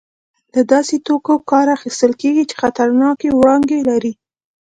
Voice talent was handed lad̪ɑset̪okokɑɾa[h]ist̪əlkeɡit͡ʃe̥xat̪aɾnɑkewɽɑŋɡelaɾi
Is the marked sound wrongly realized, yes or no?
yes